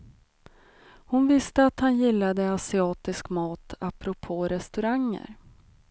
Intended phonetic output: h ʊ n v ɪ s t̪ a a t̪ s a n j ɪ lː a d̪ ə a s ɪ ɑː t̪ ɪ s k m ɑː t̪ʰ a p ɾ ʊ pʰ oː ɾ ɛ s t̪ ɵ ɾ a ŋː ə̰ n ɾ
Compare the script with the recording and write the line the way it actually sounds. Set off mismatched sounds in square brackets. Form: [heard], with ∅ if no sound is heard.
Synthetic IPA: h ʊ n v ɪ s t̪ [ə] a t̪ [h] a n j ɪ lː a d̪ ə a s ɪ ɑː t̪ ɪ s k m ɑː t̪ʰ a p ɾ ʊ pʰ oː ɾ ɛ s t̪ ɵ ɾ a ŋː ə̰ [∅] ɾ